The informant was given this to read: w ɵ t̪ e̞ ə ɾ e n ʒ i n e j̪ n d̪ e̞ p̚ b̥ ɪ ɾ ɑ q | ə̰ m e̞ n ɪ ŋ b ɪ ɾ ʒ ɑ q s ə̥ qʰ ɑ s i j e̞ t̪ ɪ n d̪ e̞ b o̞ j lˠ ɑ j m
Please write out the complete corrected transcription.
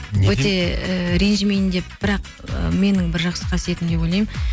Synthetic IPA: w ɵ t̪ e̞ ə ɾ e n ʒ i m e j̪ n d̪ e̞ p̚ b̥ ɪ ɾ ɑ q | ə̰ m e̞ n ɪ ŋ b ɪ ɾ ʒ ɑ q s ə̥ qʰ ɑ s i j e̞ t̪ ɪ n d̪ e̞ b o̞ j lˠ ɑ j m